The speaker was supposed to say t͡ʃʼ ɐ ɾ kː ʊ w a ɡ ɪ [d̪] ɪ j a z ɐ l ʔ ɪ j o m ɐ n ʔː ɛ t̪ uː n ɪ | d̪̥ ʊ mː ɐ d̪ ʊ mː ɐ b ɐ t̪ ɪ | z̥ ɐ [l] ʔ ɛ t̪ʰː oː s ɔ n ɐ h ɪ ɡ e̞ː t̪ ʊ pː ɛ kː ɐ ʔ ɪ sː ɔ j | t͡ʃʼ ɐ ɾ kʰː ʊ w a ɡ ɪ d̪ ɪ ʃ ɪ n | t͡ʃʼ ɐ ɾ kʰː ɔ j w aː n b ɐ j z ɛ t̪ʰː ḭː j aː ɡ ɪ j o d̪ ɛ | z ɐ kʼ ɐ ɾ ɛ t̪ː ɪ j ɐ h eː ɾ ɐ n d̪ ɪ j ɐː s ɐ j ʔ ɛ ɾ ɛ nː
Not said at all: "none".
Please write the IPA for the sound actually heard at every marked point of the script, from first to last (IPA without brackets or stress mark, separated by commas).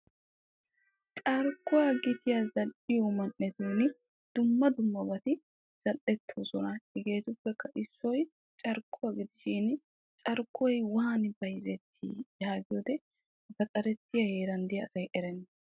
t̪, l